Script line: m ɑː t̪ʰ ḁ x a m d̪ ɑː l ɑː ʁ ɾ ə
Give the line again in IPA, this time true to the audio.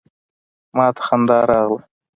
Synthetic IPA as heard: m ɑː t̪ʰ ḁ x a n d̪ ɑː ɾ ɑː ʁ l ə